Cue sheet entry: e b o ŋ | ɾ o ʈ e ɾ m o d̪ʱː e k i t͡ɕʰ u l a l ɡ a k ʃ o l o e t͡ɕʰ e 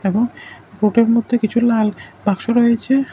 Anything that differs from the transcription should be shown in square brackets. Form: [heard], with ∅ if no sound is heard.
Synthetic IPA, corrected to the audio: e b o ŋ | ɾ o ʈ e ɾ m o d̪ʱː e k i t͡ɕʰ u l a l [b] a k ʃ o [ɾ] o e t͡ɕʰ e